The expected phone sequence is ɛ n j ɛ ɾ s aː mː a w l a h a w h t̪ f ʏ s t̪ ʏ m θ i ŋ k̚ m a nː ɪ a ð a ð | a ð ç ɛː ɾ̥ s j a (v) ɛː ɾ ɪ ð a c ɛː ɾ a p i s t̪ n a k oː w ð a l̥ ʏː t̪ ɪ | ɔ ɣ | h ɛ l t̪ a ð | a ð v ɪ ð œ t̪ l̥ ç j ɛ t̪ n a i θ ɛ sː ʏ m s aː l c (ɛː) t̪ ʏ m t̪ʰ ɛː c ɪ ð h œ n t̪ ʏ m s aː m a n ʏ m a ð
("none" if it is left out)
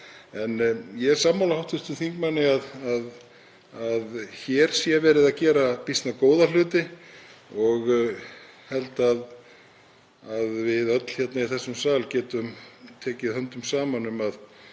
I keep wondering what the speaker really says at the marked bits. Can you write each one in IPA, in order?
v, ɛː

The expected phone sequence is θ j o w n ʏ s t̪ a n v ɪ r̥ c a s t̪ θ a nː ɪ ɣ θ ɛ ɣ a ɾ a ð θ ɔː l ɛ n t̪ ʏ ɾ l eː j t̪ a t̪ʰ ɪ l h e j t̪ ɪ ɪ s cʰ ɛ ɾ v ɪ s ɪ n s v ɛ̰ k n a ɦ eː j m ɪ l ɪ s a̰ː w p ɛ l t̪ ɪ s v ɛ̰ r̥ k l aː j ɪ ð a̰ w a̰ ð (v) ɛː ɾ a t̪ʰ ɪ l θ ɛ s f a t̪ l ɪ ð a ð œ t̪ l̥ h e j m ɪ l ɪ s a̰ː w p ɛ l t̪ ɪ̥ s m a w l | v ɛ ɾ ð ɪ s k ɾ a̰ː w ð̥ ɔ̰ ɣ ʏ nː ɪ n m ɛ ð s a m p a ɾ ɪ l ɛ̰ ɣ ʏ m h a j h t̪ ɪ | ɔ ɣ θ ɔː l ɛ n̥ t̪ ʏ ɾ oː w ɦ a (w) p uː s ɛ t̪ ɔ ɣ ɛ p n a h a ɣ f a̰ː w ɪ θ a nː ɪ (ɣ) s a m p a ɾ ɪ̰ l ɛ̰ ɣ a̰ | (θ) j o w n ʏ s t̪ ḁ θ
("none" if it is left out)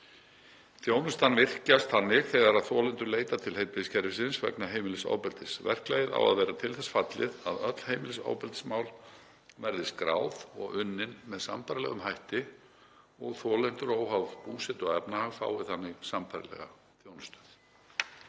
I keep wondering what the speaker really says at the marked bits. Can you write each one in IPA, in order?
v, v, ɣ, θ

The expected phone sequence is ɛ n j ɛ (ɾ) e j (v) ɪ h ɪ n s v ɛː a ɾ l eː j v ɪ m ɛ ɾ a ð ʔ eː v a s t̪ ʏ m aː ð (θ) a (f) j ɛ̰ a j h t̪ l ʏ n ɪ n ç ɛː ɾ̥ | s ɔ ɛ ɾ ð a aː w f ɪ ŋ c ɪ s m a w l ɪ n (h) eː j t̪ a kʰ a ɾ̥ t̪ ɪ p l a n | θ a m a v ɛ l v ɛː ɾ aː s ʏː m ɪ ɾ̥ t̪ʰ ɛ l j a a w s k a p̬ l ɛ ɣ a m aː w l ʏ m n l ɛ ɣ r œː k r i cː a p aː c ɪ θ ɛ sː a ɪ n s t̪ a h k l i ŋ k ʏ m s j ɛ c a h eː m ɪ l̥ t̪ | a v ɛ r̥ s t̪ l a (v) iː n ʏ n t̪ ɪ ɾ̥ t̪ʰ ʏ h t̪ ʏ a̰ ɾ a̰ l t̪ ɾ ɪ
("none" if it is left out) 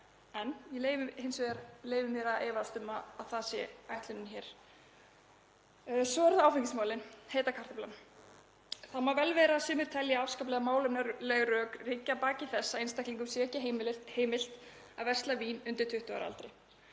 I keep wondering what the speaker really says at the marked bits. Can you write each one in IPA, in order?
l, v, θ, s, h, v

